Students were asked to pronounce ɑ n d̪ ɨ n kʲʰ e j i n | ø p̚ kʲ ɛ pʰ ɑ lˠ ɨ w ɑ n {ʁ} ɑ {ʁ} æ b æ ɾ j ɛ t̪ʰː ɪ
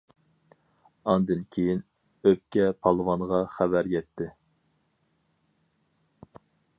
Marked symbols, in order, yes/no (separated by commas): yes, no